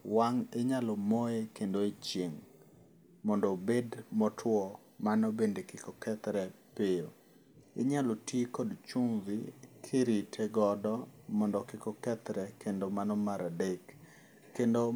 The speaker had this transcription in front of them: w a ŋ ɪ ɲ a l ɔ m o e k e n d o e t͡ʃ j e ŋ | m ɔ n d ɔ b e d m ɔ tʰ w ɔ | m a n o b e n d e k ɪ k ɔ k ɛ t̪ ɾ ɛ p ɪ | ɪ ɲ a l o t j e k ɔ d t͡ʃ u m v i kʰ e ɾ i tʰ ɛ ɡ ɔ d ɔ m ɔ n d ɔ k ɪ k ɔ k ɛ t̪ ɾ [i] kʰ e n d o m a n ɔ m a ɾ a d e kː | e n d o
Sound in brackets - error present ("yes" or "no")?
yes